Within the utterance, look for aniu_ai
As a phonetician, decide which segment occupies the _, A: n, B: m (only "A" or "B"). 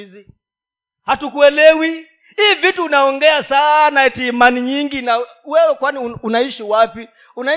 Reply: A